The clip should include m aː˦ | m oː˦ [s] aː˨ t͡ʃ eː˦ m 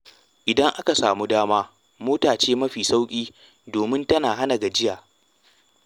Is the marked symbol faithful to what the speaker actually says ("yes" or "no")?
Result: no